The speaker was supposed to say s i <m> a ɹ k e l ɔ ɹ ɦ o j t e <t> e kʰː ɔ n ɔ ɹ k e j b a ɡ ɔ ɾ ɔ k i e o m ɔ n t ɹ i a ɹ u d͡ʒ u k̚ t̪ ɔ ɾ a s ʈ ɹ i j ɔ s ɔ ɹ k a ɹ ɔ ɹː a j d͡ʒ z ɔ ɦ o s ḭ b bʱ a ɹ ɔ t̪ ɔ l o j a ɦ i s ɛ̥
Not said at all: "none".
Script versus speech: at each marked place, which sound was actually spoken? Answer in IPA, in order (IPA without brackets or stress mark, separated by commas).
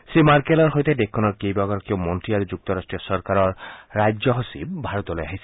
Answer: m, d